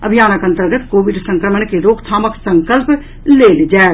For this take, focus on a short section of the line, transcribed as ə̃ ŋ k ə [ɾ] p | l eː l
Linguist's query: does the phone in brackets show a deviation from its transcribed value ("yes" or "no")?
yes